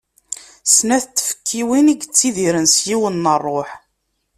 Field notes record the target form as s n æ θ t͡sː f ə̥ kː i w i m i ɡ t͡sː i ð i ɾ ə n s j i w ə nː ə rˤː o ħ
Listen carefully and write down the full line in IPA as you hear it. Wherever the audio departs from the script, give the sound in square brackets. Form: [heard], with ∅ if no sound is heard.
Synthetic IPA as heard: s n æ θ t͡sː f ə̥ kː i w i [n] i ɡ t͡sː i ð i ɾ ə n s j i w ə nː ə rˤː o ħ